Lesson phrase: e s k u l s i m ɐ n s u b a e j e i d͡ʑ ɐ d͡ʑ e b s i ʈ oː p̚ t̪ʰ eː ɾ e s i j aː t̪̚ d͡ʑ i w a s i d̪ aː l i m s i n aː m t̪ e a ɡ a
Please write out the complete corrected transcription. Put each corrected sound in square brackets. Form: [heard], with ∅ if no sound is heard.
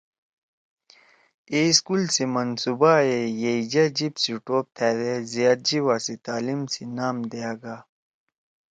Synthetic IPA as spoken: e s k u l s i m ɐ n s u b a e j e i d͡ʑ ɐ d͡ʑ [i] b s i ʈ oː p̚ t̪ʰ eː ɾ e [z] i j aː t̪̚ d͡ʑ i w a s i [t̪] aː l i m s i n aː m [d̪] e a ɡ a